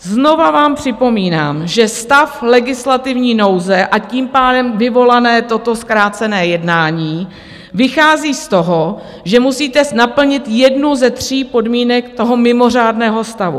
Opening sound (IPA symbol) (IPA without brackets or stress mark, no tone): z